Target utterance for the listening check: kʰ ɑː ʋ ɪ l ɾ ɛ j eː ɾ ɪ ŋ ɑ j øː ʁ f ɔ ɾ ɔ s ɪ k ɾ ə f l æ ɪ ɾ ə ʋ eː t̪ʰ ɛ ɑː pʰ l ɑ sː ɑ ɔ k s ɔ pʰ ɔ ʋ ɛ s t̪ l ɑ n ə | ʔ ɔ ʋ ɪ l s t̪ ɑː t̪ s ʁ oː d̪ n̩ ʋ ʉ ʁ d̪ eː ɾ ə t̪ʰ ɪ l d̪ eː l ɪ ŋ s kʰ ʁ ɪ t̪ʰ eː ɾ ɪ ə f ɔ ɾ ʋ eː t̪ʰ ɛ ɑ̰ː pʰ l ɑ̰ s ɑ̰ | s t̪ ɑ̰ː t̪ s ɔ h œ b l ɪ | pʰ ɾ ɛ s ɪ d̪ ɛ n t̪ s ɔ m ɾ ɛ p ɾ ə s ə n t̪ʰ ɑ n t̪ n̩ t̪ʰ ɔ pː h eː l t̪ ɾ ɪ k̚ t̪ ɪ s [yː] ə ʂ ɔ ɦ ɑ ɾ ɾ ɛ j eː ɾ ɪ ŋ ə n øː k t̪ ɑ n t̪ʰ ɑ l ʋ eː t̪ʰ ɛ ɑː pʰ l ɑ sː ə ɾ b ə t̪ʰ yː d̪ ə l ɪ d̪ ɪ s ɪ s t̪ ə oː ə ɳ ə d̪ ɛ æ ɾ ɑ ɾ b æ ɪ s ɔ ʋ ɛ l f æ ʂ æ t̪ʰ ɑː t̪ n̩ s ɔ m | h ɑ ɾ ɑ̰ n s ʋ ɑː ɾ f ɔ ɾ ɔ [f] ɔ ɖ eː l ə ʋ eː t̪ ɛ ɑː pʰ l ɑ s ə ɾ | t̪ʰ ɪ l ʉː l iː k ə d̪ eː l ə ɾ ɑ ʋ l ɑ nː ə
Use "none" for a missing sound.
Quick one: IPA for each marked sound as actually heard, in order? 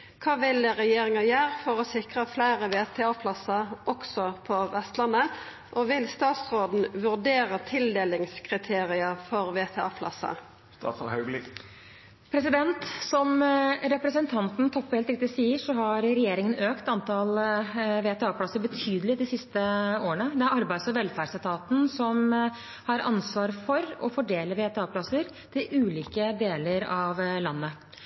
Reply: iː, f

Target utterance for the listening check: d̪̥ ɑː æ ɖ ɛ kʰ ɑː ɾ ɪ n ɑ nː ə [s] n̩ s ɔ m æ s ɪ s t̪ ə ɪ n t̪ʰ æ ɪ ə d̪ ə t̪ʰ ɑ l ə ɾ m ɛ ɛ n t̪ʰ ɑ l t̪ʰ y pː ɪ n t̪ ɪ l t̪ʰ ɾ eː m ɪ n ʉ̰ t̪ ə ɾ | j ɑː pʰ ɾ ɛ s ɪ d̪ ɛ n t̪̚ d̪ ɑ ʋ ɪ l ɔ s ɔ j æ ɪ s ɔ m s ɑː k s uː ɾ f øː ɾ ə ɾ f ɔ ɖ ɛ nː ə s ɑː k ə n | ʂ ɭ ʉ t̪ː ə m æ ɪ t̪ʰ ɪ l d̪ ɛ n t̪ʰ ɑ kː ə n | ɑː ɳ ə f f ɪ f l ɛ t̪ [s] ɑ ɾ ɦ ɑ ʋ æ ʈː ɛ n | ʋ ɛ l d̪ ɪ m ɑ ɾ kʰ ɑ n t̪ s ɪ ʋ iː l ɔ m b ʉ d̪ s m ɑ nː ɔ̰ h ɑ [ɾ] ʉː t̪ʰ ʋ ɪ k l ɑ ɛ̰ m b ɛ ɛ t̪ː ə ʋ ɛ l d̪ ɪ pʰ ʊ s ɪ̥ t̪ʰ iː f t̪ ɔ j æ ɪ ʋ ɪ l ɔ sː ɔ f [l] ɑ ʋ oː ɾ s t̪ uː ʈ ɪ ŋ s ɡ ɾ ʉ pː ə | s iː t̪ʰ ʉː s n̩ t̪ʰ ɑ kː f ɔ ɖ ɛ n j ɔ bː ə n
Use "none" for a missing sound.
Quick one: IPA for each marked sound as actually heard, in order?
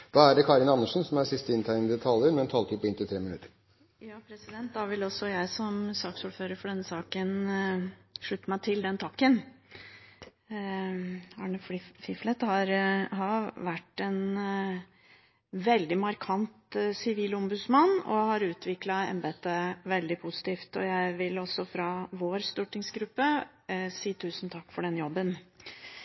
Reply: ʂ, h, ɾ, ɾ

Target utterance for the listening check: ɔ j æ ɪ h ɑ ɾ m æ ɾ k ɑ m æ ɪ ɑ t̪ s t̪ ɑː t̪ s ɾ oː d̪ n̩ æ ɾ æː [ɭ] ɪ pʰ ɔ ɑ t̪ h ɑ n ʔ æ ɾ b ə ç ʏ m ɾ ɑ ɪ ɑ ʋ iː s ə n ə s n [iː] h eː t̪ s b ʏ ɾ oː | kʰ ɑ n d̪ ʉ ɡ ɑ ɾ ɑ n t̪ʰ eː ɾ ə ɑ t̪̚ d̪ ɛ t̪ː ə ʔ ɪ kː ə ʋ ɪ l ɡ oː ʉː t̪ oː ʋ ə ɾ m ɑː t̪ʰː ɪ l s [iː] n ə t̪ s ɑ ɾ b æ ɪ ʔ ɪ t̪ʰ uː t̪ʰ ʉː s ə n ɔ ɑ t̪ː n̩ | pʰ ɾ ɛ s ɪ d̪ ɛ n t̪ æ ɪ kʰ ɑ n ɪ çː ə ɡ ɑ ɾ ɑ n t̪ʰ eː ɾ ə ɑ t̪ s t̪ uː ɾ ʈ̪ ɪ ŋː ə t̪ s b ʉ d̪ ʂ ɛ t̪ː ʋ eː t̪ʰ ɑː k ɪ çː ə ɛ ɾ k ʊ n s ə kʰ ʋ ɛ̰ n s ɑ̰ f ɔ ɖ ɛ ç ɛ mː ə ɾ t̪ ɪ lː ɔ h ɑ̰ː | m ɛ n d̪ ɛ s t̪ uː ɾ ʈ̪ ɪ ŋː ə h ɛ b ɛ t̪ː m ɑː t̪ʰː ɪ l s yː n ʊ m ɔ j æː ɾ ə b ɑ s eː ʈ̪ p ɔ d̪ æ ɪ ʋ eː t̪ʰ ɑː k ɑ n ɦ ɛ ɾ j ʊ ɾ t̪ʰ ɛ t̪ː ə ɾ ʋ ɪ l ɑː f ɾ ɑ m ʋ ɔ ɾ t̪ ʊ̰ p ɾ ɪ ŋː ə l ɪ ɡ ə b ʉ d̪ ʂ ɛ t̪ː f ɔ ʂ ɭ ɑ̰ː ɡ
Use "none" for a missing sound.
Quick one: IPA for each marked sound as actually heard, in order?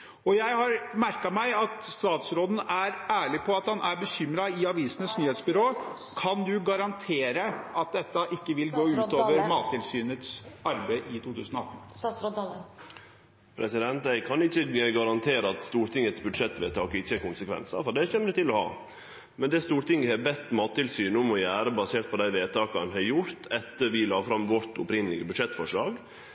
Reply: ɭ, yː, yː

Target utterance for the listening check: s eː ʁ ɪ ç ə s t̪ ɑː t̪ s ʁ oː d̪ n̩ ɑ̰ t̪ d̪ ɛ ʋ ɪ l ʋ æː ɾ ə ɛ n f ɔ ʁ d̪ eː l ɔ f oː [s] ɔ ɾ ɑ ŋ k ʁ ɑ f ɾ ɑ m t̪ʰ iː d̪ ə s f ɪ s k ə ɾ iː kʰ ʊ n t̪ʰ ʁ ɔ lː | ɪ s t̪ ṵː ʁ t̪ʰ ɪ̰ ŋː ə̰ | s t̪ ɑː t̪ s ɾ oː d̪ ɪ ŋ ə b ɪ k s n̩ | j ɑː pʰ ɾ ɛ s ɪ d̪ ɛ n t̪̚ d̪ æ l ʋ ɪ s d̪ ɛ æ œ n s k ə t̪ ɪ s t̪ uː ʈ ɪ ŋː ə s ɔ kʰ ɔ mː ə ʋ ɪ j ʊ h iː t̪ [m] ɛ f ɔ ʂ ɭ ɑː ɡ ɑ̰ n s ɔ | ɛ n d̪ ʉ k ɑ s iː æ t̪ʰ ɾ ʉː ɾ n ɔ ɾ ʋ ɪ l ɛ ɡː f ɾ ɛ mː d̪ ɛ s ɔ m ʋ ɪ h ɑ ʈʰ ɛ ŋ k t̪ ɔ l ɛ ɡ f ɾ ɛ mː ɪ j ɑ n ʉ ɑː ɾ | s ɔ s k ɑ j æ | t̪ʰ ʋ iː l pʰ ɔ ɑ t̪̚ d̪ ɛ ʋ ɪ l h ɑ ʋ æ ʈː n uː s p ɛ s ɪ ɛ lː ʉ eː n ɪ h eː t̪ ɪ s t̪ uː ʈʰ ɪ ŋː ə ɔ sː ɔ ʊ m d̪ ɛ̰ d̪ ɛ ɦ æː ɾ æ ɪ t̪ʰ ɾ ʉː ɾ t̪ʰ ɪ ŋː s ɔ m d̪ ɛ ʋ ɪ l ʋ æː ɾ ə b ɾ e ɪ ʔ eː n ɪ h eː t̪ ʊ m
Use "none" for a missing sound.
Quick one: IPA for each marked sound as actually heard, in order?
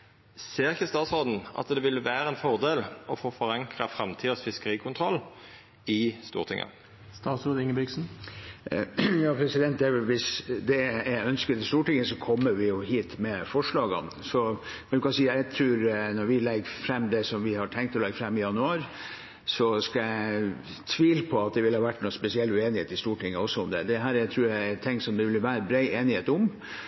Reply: f, m

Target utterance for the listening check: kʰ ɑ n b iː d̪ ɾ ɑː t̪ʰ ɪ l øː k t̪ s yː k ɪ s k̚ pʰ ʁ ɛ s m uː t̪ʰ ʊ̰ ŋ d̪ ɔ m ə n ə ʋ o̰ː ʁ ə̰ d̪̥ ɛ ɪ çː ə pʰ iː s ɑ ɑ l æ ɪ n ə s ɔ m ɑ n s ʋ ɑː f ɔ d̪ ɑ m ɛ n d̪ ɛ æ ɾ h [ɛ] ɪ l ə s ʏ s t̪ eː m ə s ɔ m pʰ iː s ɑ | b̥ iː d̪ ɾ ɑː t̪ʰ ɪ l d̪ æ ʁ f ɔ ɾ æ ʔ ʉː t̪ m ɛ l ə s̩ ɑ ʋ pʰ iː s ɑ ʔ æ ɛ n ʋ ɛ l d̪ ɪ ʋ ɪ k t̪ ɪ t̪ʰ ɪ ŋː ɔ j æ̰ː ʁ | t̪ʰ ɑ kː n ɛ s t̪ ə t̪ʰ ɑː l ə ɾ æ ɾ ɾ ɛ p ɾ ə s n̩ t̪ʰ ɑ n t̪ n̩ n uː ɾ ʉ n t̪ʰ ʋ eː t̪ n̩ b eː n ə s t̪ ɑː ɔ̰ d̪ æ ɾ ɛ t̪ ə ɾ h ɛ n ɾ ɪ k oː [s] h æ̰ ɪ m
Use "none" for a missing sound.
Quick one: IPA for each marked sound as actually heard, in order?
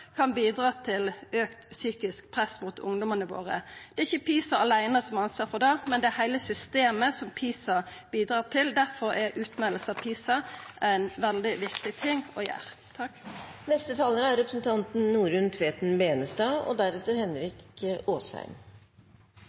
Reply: æ, s

